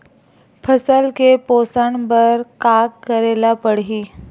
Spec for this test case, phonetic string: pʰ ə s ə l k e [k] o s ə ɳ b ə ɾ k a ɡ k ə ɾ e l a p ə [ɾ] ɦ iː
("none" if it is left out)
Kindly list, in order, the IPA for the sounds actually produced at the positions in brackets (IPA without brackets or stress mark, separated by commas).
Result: p, ɽ